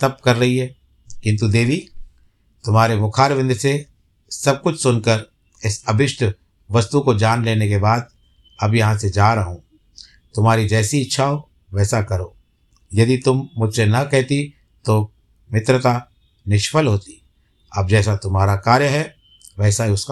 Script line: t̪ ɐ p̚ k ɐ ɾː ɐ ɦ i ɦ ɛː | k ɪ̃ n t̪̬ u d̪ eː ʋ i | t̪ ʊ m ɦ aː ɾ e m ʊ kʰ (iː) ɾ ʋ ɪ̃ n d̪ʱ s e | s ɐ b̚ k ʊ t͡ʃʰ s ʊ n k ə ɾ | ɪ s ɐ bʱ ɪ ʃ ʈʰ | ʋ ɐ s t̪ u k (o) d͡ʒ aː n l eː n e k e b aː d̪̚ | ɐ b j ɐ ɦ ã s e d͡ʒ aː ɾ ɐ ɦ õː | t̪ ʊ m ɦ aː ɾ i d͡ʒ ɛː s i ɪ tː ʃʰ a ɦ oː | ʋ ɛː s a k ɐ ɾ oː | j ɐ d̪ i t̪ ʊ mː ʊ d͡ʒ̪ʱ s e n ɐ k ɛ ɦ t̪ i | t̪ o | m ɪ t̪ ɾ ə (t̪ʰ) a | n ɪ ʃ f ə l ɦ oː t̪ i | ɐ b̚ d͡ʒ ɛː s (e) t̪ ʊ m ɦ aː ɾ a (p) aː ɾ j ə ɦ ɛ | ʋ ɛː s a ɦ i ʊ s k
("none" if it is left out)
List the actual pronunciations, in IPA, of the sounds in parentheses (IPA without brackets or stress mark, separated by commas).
aː, o, t̪, a, k